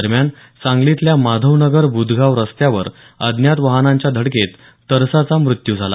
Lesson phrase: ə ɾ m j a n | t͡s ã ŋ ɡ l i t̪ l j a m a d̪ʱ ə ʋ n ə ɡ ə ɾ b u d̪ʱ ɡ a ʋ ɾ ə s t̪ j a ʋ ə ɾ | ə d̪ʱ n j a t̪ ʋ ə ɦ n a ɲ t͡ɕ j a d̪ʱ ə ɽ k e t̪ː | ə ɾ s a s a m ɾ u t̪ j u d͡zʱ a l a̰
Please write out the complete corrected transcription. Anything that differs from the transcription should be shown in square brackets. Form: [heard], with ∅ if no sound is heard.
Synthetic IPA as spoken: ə ɾ m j a n | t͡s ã ŋ ɡ l i t̪ l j a m a d̪ʱ ə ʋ n ə ɡ ə ɾ b u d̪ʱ ɡ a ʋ ɾ ə s t̪ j a ʋ ə ɾ | ə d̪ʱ n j a t̪ ʋ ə ɦ n a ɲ t͡ɕ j a d̪ʱ ə ɽ k e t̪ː | ə ɾ s a [t͡s] a m ɾ u t̪ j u d͡zʱ a l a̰